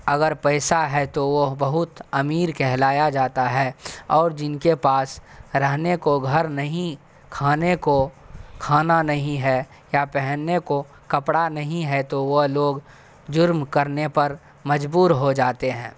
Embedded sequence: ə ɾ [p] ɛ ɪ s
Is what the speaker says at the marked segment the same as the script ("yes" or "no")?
yes